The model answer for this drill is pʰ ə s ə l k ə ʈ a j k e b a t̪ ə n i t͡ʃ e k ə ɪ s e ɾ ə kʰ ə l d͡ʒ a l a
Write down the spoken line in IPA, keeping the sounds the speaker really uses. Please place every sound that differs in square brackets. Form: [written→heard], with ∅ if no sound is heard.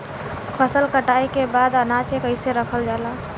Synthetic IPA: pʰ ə s ə l k ə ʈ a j k e b a [t̪→d̪] ə n [i→a] t͡ʃ e k ə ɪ s e ɾ ə kʰ ə l d͡ʒ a l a